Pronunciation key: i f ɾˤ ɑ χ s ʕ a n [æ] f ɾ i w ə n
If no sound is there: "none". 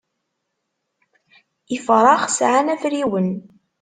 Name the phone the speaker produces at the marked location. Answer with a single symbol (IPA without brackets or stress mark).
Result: æ